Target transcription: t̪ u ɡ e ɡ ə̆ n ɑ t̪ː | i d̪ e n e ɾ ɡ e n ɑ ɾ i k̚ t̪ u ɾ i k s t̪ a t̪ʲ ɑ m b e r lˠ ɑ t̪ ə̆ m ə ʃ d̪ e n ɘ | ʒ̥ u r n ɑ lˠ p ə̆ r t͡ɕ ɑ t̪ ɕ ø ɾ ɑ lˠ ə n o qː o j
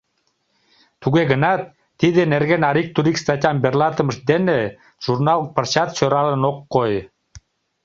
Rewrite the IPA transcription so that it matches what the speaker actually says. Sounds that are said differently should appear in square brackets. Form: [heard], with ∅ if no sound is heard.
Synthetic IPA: t̪ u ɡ e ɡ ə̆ n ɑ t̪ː | i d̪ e n e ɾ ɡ e n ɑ ɾ i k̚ t̪ u ɾ i k s t̪ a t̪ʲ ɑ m b e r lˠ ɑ t̪ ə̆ m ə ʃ d̪ e n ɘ | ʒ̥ u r n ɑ lˠ p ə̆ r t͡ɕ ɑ t̪ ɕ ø ɾ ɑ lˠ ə n o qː o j